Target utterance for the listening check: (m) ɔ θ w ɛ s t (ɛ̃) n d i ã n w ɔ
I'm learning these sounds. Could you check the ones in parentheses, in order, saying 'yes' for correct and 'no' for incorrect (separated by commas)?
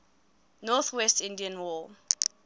no, no